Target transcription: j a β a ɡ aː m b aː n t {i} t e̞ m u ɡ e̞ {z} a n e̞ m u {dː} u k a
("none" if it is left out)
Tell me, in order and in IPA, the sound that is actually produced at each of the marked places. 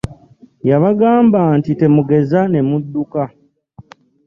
i, z, dː

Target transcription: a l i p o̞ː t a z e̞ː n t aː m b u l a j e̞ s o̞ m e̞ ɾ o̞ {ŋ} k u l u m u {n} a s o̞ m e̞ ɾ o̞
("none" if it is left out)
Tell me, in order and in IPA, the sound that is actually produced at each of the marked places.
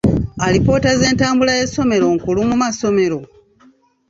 ŋ, m

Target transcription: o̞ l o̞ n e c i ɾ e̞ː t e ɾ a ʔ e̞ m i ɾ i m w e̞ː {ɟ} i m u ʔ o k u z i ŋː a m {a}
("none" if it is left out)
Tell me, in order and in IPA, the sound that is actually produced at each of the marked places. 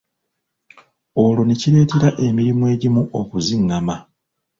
ɟ, a

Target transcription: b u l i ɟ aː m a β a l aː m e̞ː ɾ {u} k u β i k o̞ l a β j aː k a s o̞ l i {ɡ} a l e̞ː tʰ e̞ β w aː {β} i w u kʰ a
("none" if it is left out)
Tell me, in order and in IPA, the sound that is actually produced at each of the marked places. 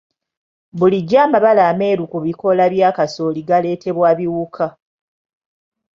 u, ɡ, β

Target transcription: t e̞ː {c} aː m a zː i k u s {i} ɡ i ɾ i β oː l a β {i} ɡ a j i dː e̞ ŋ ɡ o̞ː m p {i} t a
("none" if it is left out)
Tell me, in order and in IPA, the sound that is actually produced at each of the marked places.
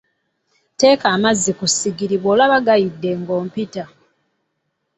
k, i, a, i

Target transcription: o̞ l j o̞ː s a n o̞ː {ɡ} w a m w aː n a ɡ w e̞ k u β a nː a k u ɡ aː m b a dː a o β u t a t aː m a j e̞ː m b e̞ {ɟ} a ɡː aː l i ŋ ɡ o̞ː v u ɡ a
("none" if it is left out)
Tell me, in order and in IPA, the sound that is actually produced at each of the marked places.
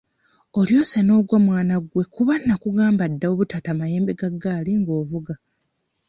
ɡ, ɡ

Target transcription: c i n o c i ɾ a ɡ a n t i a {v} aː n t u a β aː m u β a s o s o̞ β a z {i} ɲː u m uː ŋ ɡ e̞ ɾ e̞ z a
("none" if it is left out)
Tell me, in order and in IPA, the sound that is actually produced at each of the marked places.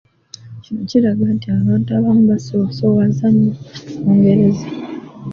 β, a

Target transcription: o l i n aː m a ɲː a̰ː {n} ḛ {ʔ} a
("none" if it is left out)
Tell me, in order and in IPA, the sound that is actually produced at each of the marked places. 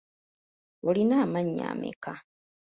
m, k

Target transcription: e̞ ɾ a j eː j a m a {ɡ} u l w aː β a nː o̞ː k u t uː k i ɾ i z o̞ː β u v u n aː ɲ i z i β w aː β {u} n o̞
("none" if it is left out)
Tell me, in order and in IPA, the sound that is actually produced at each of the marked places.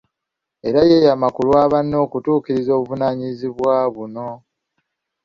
k, u

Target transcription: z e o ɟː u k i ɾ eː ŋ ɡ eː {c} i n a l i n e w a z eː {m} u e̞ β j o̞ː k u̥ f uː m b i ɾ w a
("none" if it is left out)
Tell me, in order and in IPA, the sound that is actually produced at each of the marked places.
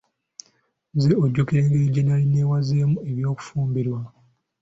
ɟ, m

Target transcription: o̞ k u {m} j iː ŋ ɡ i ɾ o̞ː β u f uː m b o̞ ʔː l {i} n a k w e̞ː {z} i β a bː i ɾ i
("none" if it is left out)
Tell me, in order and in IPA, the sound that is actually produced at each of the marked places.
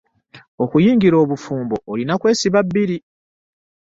none, i, s

